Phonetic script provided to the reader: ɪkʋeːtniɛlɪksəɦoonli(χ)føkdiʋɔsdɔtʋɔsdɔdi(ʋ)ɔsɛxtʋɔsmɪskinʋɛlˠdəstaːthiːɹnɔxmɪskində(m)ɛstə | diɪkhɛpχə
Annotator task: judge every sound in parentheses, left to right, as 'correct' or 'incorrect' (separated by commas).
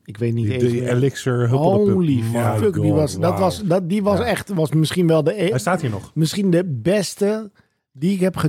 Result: incorrect, correct, incorrect